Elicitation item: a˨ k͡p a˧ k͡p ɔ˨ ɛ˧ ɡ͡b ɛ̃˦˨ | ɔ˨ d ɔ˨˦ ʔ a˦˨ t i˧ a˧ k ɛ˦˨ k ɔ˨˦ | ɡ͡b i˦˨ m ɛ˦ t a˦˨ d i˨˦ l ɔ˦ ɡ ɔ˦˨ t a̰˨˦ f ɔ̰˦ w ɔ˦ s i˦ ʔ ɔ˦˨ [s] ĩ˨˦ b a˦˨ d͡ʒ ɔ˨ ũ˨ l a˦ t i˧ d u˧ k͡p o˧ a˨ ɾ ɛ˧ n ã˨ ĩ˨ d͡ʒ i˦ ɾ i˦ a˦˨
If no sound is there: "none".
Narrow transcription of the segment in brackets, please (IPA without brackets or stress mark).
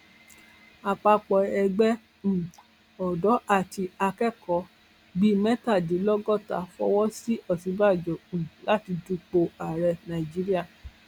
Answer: s